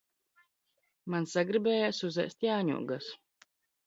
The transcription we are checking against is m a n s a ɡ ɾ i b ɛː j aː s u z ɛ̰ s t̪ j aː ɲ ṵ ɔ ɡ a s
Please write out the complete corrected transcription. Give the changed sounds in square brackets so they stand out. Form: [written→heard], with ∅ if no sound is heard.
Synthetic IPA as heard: m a n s a ɡ ɾ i b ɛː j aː s u z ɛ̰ s t̪ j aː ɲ ṵ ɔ ɡ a s